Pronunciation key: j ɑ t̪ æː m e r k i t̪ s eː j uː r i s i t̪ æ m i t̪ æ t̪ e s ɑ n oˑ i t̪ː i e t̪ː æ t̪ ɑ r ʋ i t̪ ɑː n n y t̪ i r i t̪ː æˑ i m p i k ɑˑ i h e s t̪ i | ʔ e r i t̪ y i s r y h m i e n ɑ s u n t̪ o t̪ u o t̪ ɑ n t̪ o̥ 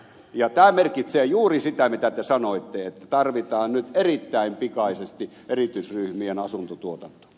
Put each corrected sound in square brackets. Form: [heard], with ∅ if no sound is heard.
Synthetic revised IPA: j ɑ t̪ æː m e r k i t̪ s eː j uː r i s i t̪ æ m i t̪ æ t̪ e s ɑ n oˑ i t̪ː [e] e t̪ː æ t̪ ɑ r ʋ i t̪ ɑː n n y t̪ [e] r i t̪ː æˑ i m p i k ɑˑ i [s] e s t̪ i | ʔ e r i t̪ y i s r y h m i e n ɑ s u n t̪ o t̪ u o t̪ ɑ n t̪ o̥